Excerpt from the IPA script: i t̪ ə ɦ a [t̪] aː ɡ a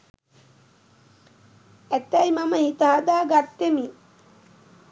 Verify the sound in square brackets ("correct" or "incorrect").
incorrect